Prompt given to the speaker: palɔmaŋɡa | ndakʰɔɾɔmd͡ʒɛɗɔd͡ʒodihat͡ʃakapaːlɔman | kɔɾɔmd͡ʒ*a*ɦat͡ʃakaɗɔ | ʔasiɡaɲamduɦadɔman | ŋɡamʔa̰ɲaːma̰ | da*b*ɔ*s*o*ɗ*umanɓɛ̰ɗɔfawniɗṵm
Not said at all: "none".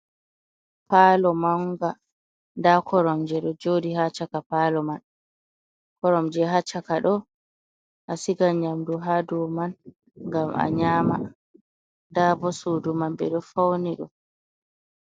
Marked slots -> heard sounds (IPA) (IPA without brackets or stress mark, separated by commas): ɛ, b, s, d